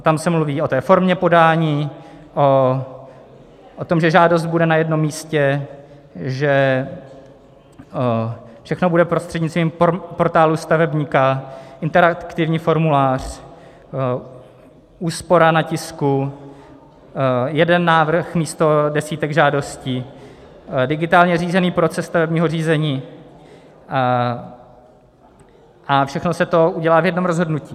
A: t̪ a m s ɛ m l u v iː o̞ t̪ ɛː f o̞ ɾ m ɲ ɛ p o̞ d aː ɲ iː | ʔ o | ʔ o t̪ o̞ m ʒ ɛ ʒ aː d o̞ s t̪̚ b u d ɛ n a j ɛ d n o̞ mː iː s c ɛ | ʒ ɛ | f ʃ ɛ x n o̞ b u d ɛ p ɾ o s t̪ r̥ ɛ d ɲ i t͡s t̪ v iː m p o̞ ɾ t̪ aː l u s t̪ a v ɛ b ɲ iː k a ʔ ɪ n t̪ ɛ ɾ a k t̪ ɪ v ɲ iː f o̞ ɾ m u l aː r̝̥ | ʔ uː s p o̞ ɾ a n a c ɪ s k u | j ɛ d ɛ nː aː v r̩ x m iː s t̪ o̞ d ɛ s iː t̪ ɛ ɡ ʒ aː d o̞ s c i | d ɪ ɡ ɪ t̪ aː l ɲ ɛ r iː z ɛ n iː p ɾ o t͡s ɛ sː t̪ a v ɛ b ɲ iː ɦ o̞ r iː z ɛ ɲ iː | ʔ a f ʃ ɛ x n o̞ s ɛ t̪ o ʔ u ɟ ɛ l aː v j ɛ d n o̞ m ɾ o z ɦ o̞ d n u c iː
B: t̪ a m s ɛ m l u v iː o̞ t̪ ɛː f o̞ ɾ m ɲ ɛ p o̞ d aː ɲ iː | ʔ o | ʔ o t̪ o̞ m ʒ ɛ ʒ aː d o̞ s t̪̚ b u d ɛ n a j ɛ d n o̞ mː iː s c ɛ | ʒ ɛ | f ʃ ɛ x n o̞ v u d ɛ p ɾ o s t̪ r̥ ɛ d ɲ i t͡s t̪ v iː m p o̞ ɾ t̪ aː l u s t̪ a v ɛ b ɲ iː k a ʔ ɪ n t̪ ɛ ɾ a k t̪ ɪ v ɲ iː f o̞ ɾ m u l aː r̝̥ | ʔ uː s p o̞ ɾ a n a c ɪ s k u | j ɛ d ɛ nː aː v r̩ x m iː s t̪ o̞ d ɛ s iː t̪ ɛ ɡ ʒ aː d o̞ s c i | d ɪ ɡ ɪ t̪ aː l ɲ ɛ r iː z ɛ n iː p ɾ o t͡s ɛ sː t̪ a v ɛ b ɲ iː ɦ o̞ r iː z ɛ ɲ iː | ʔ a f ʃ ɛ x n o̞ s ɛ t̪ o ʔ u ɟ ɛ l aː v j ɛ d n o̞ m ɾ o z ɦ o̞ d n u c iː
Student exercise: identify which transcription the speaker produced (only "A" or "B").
A